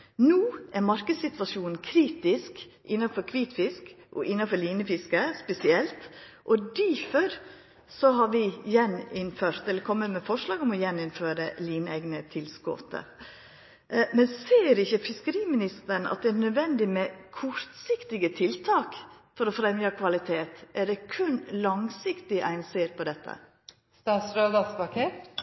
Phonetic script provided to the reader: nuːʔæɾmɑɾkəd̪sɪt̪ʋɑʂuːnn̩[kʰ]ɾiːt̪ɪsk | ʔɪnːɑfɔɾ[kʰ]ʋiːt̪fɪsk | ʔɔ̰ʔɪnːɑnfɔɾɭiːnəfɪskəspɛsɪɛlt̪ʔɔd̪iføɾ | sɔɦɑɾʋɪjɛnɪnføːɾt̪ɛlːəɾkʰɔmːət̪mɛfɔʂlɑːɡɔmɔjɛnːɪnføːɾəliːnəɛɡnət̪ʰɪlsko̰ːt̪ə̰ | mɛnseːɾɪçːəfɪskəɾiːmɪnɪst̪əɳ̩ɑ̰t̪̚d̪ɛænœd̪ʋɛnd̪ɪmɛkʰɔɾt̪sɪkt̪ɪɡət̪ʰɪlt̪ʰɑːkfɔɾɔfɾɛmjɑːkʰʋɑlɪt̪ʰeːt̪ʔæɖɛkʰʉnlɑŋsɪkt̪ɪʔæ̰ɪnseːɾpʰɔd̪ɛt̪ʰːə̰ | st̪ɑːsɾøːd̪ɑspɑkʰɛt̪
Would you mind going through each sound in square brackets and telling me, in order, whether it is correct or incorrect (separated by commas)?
correct, correct